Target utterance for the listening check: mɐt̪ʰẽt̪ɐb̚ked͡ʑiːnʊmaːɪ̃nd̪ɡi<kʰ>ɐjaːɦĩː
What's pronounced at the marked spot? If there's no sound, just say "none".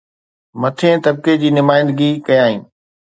k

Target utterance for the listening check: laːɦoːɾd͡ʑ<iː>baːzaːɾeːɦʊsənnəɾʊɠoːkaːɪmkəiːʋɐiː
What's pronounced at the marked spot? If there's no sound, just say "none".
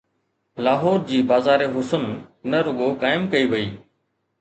iː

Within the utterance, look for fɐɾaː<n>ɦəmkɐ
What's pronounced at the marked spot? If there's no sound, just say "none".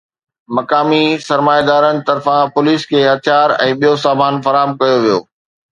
none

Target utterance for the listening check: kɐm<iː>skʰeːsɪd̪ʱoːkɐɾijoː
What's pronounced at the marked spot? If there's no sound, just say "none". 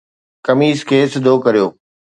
iː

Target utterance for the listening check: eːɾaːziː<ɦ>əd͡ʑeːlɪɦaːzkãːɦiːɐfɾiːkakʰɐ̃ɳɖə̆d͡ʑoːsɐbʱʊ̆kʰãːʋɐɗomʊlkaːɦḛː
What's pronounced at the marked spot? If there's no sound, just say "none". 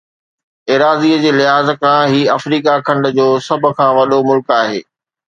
none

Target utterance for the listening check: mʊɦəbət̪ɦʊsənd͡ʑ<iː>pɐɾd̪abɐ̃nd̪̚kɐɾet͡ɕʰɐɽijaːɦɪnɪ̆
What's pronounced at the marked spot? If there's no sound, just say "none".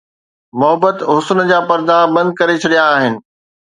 aː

